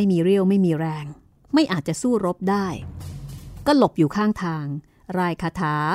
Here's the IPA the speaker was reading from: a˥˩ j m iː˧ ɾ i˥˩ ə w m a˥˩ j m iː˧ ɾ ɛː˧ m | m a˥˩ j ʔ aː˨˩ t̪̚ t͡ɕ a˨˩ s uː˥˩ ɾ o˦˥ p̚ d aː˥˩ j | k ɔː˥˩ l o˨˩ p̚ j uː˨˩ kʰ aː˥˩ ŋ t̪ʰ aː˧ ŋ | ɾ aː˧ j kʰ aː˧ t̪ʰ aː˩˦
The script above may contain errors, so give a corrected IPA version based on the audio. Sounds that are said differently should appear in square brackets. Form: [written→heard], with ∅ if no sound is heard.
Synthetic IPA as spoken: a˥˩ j m iː˧ ɾ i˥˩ ə w m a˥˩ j m iː˧ ɾ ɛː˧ [m→ŋ] | m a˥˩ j ʔ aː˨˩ t̪̚ t͡ɕ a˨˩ s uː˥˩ ɾ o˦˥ p̚ d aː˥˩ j | k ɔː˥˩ l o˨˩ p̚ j uː˨˩ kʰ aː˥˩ ŋ t̪ʰ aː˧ ŋ | ɾ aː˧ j kʰ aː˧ t̪ʰ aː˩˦